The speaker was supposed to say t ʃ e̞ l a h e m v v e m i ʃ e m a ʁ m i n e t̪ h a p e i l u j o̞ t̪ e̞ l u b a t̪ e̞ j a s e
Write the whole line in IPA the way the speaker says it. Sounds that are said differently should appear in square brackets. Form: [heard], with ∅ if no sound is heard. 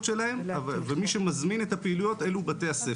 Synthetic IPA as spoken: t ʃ e̞ l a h e m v v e m i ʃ e m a [z] m i n e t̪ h a p e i l u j o̞ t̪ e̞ l u b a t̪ e̞ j a s e